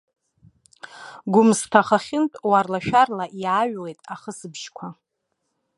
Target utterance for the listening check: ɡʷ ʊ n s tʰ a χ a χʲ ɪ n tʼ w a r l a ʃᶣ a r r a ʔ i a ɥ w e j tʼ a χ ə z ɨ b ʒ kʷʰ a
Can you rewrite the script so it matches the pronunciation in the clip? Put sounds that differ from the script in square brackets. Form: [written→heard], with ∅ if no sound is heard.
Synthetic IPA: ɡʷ ʊ [n→m] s tʰ a χ a χʲ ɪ n tʼ w a r l a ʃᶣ a r [r→l] a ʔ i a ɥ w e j tʼ a χ ə [z→s] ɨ b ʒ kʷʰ a